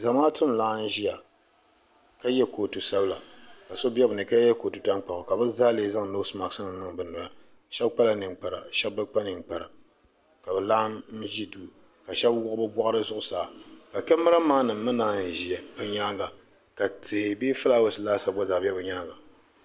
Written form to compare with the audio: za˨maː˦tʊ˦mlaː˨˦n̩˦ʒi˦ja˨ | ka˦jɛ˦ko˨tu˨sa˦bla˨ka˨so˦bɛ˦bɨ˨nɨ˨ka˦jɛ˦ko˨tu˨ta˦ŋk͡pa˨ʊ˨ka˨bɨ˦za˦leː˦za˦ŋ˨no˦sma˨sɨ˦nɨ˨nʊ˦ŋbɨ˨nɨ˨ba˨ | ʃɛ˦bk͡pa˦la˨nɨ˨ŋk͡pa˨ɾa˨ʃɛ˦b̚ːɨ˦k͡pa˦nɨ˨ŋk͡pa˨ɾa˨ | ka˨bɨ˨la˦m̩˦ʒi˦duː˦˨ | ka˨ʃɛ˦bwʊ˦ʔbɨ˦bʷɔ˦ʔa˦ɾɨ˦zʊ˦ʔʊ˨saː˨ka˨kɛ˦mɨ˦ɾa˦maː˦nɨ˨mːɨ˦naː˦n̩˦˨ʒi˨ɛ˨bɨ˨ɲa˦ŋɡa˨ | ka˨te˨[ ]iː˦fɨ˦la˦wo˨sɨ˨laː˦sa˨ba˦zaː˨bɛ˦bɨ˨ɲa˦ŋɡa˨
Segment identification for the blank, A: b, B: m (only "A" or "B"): A